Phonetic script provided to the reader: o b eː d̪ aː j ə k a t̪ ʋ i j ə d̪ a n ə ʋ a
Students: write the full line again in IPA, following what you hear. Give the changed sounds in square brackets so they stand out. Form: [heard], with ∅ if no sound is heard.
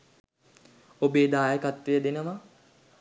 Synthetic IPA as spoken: o b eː d̪ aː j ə k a t̪ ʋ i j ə d̪ [e] n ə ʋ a